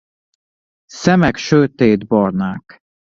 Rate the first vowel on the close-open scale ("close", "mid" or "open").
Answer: mid